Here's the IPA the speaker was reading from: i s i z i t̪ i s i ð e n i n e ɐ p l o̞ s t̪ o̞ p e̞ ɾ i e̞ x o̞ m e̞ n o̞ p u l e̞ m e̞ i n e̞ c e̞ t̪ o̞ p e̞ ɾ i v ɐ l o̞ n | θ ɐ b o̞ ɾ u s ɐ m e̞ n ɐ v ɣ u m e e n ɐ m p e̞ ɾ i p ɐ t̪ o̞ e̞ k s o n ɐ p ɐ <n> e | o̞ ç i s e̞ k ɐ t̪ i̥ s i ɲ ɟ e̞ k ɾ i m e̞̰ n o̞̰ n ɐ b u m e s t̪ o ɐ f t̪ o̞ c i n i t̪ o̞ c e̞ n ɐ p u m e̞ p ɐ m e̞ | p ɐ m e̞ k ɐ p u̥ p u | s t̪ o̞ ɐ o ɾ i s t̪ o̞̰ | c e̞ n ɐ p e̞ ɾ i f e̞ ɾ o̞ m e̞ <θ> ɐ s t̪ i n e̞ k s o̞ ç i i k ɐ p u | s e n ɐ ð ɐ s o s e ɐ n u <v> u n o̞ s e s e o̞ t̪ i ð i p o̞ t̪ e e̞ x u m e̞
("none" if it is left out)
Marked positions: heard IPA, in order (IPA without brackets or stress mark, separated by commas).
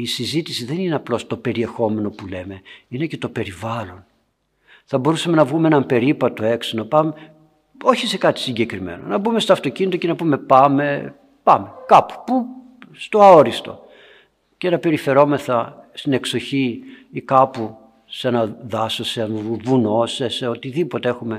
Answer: m, θ, v